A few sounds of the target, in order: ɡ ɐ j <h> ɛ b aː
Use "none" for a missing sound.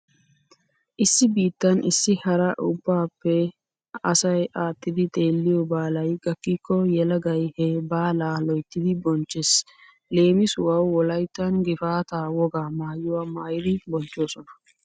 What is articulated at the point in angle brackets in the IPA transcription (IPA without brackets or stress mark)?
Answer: h